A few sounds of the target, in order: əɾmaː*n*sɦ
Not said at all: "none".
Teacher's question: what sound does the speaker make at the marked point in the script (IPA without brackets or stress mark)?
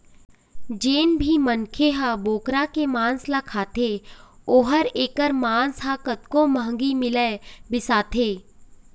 n